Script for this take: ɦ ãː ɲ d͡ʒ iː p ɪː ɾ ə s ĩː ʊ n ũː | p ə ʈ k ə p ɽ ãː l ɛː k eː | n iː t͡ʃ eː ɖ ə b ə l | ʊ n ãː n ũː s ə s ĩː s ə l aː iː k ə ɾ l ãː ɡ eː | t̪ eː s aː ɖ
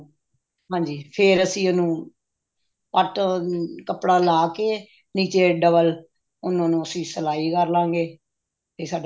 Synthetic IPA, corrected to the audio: ɦ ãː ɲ d͡ʒ iː pʰ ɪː ɾ ə s ĩː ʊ n ũː | p ə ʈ k ə p ɽ aː l aː k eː | n iː t͡ʃ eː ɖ ə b ə l | ʊ n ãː n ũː ə s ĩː s ə l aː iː k ə ɾ l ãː ɡ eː | t̪ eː s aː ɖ